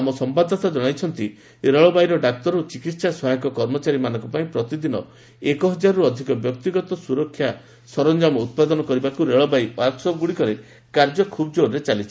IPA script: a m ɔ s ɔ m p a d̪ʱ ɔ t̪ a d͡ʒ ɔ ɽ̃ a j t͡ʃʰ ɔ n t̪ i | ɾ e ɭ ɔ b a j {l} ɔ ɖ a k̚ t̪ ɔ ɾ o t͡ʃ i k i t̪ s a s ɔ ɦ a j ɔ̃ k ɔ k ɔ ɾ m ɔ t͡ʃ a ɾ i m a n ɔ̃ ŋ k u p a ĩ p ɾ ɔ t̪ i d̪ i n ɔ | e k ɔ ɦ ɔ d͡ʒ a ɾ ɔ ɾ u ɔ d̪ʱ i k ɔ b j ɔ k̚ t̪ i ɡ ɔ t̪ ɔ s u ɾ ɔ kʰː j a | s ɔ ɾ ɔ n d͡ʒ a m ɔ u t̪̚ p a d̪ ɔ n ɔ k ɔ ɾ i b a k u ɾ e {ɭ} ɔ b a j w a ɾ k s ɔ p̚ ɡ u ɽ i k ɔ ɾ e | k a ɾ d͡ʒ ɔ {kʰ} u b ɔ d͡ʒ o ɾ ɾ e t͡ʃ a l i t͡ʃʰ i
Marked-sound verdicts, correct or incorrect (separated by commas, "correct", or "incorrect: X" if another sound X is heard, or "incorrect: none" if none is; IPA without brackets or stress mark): incorrect: ɾ, correct, correct